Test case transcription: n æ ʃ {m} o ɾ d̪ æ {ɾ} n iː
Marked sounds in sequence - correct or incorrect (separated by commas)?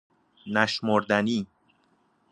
correct, incorrect